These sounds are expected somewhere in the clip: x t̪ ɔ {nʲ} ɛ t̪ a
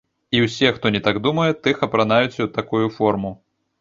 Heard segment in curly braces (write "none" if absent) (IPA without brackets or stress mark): nʲ